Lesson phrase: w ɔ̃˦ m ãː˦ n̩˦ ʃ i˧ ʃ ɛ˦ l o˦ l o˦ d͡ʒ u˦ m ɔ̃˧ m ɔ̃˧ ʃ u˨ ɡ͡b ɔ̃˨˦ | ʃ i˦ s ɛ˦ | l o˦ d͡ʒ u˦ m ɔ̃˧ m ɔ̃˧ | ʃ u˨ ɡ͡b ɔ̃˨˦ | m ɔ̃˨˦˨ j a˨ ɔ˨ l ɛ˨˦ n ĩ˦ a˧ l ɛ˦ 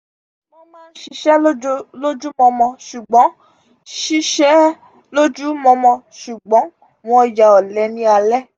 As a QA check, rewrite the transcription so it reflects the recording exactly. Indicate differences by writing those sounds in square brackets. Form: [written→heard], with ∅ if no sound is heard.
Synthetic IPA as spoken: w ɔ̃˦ m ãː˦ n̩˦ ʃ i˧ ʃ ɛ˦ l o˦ l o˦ d͡ʒ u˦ m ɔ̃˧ m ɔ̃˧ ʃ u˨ ɡ͡b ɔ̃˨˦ | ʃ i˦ [s→ʃ] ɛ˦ | l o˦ d͡ʒ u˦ m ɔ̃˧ m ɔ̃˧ | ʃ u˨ ɡ͡b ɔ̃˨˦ | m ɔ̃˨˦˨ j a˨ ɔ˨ l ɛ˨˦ n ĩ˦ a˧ l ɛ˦